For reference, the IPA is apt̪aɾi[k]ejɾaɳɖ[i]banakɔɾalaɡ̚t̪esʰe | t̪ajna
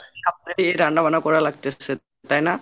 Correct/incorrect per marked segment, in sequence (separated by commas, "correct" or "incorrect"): incorrect, incorrect